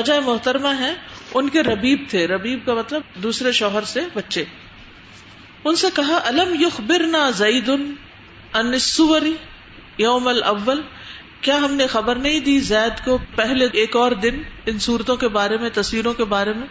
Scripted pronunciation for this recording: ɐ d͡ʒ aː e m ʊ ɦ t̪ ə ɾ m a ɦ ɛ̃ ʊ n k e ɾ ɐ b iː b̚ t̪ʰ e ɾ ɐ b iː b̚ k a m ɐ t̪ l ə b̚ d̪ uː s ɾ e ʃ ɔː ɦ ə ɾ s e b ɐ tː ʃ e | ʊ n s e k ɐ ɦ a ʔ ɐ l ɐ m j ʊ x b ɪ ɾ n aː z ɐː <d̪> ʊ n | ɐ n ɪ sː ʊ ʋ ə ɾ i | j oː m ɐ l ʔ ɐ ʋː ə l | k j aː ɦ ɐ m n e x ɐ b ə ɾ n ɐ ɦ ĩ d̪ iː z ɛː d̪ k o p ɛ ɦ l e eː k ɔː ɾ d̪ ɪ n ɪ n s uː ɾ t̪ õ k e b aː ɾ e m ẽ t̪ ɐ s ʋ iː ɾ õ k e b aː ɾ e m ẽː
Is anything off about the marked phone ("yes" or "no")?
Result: no